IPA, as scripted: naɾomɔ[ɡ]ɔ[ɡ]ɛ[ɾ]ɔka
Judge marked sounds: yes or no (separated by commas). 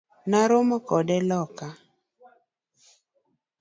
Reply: no, no, no